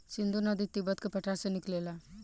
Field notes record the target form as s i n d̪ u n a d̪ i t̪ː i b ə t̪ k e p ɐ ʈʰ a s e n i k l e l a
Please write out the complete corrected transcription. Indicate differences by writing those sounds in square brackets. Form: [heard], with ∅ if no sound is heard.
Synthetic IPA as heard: s i n d̪ u n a d̪ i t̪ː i b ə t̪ k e p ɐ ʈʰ a s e n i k l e l a